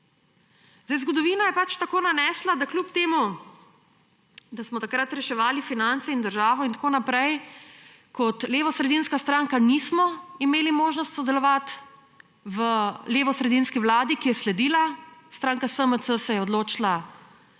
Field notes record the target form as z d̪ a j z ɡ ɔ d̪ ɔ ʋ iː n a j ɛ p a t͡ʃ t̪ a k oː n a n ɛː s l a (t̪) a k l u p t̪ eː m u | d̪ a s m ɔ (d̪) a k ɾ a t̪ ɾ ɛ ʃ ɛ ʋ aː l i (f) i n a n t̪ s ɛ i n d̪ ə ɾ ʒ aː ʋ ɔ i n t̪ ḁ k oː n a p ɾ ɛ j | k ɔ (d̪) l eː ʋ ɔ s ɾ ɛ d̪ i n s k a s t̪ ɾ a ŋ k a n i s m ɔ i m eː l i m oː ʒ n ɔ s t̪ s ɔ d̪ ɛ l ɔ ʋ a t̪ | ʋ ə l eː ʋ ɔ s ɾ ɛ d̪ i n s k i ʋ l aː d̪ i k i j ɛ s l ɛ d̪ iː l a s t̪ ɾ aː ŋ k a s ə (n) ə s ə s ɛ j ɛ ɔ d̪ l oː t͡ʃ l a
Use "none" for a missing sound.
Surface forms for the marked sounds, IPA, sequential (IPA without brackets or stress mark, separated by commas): d̪, t̪, f, t̪, m